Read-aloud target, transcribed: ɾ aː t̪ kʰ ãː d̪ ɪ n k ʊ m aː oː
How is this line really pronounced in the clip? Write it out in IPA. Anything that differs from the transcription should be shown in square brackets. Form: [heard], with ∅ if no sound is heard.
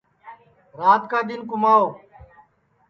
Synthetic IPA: ɾ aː t̪ [k] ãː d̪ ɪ n k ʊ m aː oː

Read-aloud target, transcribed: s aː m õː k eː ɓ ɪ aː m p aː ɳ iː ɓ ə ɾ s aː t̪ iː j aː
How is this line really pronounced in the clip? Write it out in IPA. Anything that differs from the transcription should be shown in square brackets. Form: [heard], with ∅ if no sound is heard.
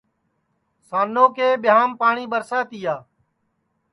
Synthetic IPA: s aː [n] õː k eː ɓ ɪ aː m p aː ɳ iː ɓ ə ɾ s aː t̪ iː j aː

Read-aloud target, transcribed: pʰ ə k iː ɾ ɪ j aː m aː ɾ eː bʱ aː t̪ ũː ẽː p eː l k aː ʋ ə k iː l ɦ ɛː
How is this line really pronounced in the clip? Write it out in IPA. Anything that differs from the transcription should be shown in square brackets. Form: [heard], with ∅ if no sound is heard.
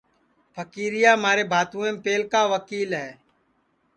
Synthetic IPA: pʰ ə k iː ɾ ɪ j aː m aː ɾ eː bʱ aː t̪ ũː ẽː p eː l k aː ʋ ə k iː l ɦ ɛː

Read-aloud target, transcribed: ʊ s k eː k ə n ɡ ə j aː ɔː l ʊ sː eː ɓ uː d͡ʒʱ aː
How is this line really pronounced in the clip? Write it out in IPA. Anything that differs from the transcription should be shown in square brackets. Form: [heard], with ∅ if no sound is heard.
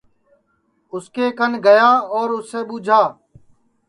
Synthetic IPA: ʊ s k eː k ə n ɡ ə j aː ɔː [ɾ] ʊ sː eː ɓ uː d͡ʒʱ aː

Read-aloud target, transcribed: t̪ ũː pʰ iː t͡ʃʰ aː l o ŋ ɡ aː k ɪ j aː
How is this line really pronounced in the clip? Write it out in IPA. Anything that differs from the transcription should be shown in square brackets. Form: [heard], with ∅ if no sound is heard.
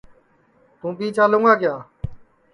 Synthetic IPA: t̪ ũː [p] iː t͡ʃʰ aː l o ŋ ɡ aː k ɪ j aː

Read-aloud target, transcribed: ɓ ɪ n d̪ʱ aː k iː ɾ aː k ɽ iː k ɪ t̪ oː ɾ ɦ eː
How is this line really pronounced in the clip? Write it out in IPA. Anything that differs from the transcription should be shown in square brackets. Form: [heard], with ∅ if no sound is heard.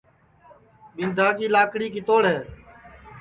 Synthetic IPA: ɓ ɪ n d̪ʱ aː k iː [l] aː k ɽ iː k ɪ t̪ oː [ɽ] ɦ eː

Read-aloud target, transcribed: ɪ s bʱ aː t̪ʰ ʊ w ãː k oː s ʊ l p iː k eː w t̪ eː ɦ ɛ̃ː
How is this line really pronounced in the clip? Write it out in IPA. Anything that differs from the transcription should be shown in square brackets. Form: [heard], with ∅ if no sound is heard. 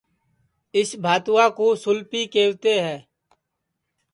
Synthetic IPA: ɪ s bʱ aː [t̪] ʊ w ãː k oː s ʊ l p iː k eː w t̪ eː ɦ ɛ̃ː

